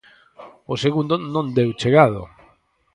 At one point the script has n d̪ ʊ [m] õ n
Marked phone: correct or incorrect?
incorrect: n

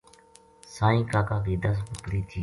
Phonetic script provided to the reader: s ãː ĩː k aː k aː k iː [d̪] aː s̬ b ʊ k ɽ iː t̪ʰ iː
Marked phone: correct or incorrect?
correct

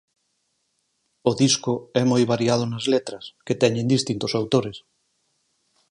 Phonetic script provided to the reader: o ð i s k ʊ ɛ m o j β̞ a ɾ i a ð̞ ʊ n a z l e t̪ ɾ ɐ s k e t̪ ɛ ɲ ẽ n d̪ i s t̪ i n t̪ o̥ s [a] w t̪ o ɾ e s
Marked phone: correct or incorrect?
correct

